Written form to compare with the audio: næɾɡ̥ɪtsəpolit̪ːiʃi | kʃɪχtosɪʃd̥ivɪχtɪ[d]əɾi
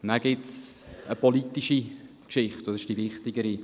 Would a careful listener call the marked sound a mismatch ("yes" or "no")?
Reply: yes